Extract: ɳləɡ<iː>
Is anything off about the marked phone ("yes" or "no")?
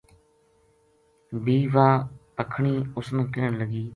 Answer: no